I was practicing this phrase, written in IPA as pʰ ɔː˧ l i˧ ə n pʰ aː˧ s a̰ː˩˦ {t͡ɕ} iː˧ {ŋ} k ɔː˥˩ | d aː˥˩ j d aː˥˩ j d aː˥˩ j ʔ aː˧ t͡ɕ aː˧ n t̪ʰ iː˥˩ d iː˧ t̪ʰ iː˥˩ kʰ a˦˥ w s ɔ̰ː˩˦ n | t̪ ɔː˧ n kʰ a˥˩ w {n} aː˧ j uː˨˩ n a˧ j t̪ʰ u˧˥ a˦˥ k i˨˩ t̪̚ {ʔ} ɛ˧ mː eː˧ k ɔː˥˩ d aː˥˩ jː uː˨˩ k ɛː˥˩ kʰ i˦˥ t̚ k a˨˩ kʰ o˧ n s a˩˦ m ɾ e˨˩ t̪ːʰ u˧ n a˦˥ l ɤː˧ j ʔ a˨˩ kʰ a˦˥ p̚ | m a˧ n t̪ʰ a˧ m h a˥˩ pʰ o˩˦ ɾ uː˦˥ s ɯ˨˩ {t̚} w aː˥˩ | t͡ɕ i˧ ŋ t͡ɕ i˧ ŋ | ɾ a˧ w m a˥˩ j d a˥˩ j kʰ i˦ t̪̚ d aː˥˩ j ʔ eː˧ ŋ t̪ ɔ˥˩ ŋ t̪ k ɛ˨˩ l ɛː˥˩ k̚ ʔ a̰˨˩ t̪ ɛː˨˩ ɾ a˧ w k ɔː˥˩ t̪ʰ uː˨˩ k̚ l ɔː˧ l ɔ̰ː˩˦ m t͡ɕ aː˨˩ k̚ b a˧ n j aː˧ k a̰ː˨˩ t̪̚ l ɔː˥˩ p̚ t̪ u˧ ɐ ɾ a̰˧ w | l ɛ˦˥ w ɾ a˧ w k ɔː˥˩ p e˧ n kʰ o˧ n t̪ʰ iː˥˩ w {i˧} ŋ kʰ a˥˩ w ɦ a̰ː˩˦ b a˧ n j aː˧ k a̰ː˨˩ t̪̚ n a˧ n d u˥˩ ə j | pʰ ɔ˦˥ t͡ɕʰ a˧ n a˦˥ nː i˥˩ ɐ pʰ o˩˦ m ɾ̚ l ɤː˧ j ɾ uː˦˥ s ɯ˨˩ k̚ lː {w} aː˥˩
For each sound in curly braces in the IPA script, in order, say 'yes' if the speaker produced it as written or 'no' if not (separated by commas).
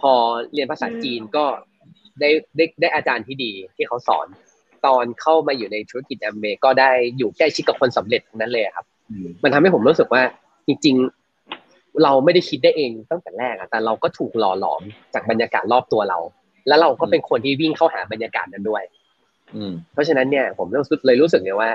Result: yes, no, no, yes, no, no, yes